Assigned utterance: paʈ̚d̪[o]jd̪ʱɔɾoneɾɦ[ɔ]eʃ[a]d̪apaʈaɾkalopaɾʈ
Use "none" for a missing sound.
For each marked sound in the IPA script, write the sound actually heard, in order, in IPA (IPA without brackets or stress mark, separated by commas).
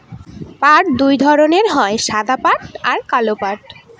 u, ɔ, a